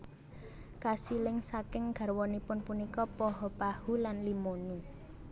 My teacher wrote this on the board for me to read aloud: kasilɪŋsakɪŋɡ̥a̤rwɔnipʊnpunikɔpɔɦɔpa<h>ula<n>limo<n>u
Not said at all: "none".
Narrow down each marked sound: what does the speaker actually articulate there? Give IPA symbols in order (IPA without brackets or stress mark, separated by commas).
h, n, n